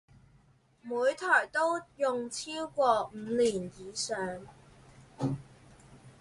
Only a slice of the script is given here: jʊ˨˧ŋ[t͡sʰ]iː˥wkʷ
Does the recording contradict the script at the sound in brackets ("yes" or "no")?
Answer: no